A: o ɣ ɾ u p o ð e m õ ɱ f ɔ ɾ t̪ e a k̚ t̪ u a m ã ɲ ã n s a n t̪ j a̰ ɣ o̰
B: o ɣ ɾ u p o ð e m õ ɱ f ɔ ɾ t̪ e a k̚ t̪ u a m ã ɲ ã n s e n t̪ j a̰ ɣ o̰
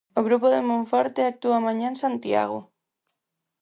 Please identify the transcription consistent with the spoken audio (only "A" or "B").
A